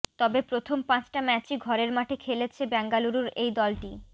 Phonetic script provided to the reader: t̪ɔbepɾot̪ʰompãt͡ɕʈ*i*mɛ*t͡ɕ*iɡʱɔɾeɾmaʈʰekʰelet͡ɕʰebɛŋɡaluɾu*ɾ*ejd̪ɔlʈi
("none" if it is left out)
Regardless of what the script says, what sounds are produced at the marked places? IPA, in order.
a, t͡ɕ, ɾ

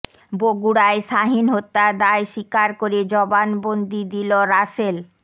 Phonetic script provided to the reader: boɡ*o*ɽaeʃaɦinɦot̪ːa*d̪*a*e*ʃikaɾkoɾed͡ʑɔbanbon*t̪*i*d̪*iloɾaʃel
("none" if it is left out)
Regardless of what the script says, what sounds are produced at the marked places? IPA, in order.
u, d̪, e, d̪, d̪

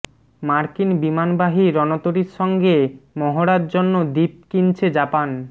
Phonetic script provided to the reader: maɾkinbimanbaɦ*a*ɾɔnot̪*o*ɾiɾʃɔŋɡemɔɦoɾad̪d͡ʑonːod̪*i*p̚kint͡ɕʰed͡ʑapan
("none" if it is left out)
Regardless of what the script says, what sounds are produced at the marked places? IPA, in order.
i, o, i

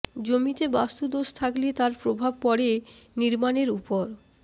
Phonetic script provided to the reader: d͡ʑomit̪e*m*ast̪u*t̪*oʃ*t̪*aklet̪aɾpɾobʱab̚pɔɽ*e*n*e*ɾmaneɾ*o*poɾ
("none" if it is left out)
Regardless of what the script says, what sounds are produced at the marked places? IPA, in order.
b, d̪, t̪ʰ, e, i, u

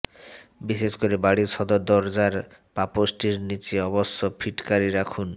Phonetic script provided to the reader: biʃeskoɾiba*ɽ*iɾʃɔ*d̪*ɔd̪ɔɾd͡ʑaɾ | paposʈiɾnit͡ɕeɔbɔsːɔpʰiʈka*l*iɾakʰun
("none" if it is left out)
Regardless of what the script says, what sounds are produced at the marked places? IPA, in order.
ɽ, d̪, ɾ

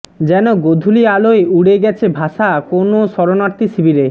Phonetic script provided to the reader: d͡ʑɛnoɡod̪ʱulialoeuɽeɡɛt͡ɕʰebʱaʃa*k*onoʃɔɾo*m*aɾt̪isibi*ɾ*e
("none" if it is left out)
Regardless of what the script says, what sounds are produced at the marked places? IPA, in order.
k, n, ɾ

